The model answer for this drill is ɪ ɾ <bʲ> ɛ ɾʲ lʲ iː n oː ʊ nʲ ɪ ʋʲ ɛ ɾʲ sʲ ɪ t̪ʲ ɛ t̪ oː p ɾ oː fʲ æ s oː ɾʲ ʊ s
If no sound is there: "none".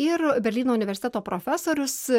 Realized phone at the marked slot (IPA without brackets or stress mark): bʲ